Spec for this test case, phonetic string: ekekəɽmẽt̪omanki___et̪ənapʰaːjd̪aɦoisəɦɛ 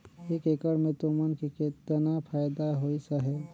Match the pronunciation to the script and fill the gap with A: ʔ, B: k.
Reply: B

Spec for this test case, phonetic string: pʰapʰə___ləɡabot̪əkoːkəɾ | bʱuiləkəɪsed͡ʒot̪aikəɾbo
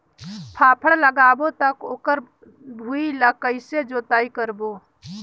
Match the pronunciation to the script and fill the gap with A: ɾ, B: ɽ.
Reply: B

